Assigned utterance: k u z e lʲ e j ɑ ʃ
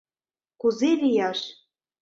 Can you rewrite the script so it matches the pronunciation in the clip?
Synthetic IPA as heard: k u z e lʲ i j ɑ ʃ

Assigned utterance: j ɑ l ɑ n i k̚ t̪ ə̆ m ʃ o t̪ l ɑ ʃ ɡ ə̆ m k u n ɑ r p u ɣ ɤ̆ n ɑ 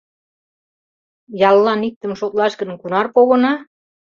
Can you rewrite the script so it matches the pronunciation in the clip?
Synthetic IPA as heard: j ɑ lː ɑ n i k̚ t̪ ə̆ m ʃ o t̪ l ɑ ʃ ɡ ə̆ n k u n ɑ r p o ɣ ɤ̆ n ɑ

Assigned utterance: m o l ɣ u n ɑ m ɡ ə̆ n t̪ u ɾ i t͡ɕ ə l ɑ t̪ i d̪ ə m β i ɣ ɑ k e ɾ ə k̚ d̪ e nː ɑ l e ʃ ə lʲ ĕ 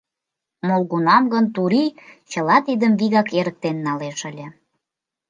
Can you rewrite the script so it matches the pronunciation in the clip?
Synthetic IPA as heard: m o l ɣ u n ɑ m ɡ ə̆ n t̪ u ɾ i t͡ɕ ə l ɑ t̪ i d̪ ə m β i ɣ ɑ k e ɾ ə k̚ t̪ e nː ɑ l e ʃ ə lʲ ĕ

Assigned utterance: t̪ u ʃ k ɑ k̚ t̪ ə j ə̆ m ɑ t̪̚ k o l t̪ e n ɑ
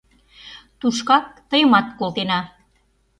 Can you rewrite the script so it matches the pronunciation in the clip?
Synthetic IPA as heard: t̪ u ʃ k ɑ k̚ t̪ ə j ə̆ m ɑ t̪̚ k o l t̪ e n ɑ

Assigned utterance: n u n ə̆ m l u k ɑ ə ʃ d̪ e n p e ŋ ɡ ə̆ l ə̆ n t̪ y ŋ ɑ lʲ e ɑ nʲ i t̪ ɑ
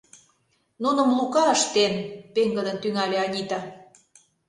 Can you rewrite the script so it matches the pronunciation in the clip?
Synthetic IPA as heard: n u n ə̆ m l u k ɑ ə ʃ t̪ e n p e ŋ ɡ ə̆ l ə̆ n t̪ y ŋ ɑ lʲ e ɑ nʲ i t̪ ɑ

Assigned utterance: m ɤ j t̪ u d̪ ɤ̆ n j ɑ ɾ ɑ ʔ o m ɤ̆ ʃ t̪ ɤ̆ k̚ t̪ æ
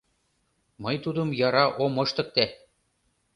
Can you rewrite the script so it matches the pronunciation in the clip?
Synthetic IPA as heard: m ɤ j t̪ u d̪ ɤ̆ m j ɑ ɾ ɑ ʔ o m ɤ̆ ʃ t̪ ɤ̆ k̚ t̪ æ

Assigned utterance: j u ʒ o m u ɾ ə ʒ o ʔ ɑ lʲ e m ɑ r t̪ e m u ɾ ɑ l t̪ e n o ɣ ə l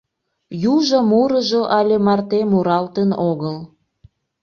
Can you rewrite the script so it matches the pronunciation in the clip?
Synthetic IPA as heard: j u ʒ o m u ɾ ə ʒ o ʔ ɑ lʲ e m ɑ r t̪ e m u ɾ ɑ l t̪ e n o ɣ ə l

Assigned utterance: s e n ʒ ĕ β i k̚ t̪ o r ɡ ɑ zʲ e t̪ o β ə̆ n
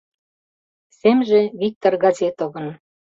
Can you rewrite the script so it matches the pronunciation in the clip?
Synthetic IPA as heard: s e m ʒ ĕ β i k̚ t̪ o r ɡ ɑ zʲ e t̪ o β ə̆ n

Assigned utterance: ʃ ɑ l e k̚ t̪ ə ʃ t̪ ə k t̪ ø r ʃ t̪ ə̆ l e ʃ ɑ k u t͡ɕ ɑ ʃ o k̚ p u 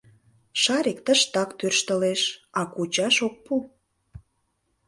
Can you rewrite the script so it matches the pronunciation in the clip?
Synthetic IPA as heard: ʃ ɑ ɾ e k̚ t̪ ə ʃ t̪ ɑ k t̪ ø r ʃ t̪ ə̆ l e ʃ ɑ k u t͡ɕ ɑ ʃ o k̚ p u

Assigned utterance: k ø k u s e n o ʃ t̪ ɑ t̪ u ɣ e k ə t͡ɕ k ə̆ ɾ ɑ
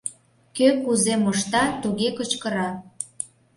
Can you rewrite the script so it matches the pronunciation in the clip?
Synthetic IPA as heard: k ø k u z e m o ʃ t̪ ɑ t̪ u ɣ e k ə t͡ɕ k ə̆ ɾ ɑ

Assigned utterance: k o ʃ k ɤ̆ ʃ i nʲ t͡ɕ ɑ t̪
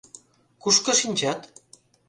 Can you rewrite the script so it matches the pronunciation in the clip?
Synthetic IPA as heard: k u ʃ k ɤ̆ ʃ i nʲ t͡ɕ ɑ t̪

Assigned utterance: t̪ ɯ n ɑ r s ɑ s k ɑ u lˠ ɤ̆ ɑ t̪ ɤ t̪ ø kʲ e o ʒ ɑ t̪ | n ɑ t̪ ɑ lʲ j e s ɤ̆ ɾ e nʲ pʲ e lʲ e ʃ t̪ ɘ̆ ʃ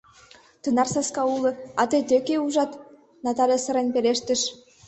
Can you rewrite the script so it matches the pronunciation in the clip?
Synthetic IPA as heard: t̪ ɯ n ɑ r s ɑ s k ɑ u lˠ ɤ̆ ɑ t̪ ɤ t̪ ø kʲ e u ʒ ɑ t̪ | n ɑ t̪ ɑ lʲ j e s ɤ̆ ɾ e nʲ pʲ e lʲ e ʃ t̪ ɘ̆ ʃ

